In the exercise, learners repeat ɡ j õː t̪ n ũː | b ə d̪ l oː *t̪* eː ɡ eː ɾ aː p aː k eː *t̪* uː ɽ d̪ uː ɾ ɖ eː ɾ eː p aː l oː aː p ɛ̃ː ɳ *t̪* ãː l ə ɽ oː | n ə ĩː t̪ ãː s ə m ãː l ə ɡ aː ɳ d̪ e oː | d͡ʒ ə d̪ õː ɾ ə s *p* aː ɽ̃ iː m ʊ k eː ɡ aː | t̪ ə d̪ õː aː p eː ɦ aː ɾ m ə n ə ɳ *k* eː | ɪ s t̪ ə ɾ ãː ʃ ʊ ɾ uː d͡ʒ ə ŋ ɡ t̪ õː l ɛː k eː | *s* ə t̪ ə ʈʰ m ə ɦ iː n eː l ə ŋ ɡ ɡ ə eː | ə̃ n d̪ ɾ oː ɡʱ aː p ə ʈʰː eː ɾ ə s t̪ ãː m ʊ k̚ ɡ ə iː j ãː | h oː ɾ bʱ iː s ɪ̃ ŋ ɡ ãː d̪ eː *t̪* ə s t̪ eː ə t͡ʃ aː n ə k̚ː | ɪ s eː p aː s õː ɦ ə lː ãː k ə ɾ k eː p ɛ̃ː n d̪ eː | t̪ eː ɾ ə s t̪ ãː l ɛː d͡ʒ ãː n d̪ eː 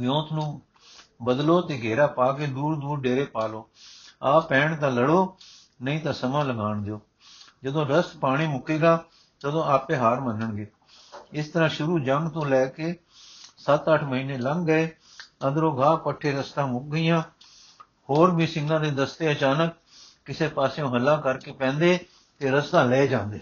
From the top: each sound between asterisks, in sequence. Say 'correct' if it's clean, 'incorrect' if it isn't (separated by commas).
correct, incorrect, correct, correct, incorrect, correct, incorrect